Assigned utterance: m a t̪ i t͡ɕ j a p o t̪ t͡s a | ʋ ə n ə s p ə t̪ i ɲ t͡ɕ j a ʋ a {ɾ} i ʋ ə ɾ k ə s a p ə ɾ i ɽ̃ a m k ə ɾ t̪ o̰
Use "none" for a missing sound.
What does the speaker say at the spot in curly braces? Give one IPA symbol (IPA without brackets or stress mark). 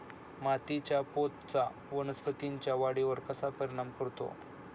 ɽ